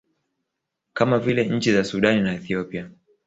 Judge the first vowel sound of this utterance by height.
low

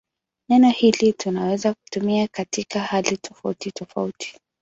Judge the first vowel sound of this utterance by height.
mid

